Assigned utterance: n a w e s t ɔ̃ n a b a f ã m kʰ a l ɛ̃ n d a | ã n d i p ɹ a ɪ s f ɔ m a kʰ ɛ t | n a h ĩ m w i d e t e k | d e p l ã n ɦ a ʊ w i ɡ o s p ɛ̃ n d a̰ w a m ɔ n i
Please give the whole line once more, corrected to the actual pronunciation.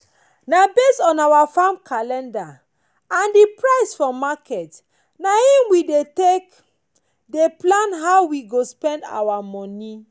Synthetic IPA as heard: n a b e s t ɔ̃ n a w a f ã m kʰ a l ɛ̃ n d a | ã n d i p ɹ a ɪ s f ɔ m a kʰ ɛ t | n a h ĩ m w i d e t e k | d e p l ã n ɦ a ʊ w i ɡ o s p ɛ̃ n d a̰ w a m ɔ n i

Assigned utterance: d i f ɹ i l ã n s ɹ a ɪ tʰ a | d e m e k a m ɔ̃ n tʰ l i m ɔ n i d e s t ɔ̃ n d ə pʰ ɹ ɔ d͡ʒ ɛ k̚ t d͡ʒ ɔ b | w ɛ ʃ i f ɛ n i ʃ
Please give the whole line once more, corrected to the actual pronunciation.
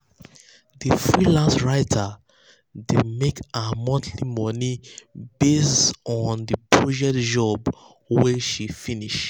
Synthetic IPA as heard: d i f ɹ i l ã n s ɹ a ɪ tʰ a | d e m e k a m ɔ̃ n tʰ l i m ɔ n i b e s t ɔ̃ n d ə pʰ ɹ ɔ d͡ʒ ɛ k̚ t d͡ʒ ɔ b | w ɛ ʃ i f i n i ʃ

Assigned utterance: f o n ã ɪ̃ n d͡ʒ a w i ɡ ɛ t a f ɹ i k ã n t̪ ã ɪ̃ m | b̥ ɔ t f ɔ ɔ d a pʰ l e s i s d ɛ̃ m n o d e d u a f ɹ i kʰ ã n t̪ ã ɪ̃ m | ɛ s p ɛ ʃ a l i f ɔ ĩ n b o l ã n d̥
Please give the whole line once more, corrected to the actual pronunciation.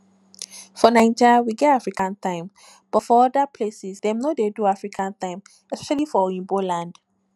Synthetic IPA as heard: f ɔ n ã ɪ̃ n d͡ʒ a w i ɡ ɛ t a f ɹ i k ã n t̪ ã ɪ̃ m | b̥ ɔ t f ɔ ɔ d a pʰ l e s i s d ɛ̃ m n o d e d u a f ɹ i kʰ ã n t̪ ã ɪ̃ m | ɛ s p ɛ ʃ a l i f ɔ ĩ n b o l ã n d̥

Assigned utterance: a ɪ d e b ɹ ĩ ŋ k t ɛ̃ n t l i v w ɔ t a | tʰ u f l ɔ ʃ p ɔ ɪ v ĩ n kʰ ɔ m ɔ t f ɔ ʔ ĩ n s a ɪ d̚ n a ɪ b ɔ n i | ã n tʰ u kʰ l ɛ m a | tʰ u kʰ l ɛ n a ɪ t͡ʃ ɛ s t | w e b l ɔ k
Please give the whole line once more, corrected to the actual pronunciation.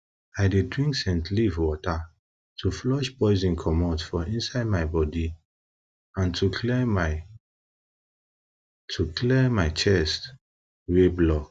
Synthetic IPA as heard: a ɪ d e d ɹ ĩ ŋ k s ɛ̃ n t l i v w ɔ t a | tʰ u f l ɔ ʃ p ɔ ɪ z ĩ n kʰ ɔ m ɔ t f ɔ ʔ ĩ n s a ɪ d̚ m a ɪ b ɔ d i | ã n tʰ u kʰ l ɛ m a | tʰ u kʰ l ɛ m a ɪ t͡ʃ ɛ s t | w e b l ɔ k

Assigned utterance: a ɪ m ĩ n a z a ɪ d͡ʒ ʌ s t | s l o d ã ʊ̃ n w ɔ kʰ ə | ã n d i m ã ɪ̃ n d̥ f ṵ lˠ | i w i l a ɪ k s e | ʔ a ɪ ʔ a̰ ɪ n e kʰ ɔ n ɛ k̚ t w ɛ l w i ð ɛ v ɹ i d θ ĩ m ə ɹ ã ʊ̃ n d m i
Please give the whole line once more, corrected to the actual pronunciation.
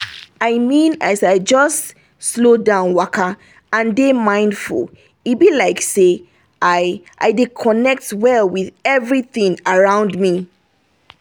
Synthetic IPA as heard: a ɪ m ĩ n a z a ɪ d͡ʒ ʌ s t | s l o d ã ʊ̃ n w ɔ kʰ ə | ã n d e m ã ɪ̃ n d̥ f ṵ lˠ | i b i l a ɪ k s e | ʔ a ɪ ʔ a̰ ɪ d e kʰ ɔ n ɛ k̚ t w ɛ l w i ð ɛ v ɹ i θ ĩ ŋ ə ɹ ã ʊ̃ n d m i

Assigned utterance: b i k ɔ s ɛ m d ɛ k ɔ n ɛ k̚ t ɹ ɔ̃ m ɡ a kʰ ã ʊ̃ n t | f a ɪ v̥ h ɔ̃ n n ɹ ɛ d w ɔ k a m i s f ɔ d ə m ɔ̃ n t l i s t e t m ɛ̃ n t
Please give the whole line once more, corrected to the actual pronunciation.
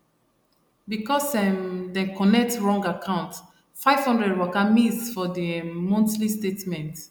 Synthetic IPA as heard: b i k ɔ s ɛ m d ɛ k ɔ n ɛ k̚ t ɹ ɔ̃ ŋ ɡ a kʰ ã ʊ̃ n t | f a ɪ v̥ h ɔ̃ n d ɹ ɛ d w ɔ k a m i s f ɔ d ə m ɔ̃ n t l i s t e t m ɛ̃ n t

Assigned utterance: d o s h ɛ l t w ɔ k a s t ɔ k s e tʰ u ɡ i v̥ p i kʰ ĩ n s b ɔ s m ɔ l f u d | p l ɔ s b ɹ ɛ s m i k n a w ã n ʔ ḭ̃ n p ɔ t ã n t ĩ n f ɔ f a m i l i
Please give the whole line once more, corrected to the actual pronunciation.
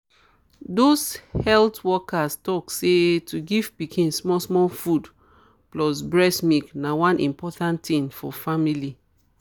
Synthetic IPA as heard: d o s h ɛ l t w ɔ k a s t ɔ k s e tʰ u ɡ i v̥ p i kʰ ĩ n s m ɔ s m ɔ l f u d | p l ɔ s b ɹ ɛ s m i k n a w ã n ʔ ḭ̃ m p ɔ t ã n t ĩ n f ɔ f a m i l i

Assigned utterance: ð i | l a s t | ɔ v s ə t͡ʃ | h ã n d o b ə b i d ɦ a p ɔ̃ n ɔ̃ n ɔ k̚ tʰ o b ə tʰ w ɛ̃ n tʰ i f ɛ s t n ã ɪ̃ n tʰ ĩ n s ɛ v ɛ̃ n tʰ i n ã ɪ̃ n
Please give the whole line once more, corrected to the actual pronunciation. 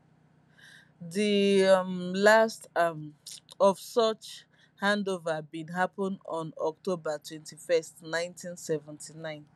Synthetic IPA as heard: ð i | l a s t | ɔ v s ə t͡ʃ | h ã n d o v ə b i d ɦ a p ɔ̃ n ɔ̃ n ɔ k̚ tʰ o b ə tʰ w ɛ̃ n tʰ i f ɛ s t n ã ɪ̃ n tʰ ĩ n s ɛ v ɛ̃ n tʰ i n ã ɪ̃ n

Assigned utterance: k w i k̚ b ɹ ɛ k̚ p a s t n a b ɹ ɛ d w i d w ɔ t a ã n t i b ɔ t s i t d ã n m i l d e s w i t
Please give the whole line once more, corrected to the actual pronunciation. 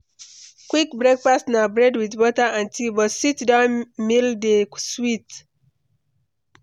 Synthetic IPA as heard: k w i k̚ b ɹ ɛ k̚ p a s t n a b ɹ ɛ d w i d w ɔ t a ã n t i b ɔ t s i t d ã n m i l d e s w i t

